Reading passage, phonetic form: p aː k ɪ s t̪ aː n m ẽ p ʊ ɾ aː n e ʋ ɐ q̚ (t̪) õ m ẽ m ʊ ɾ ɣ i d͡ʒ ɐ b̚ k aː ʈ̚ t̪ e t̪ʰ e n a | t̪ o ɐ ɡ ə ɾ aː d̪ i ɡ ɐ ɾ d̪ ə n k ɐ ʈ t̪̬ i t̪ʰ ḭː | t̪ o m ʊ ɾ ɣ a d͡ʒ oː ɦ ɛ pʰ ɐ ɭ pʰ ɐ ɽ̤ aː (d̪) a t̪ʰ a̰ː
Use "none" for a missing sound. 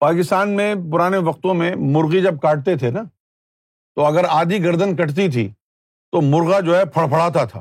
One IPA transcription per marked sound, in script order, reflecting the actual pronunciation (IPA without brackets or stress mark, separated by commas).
t̪, t̪